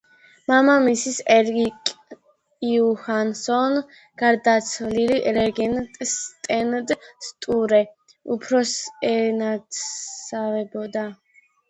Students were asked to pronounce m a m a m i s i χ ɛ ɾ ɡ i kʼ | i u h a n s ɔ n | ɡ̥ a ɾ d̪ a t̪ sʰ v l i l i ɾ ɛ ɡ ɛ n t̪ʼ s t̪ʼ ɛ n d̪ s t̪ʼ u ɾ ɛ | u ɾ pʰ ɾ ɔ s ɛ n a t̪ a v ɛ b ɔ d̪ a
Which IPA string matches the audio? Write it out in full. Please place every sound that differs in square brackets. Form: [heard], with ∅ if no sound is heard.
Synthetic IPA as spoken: m a m a m i s i [s] ɛ ɾ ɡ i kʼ | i u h a n s ɔ n | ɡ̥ a ɾ d̪ a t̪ sʰ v l i l i ɾ ɛ ɡ ɛ n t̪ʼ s t̪ʼ ɛ n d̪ s t̪ʼ u ɾ ɛ | u [∅] pʰ ɾ ɔ s ɛ n a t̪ a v ɛ b ɔ d̪ a